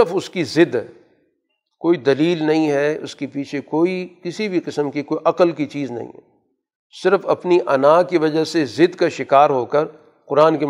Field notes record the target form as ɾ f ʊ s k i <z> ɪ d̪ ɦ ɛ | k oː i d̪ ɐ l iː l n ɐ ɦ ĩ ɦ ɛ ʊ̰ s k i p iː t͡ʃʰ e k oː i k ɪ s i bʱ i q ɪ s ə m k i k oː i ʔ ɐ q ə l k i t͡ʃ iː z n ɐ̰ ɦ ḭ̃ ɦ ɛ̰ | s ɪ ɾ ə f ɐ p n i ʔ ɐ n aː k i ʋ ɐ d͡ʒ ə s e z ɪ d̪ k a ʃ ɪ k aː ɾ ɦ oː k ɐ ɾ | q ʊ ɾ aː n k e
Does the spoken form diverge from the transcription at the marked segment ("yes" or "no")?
no